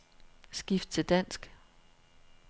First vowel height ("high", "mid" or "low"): high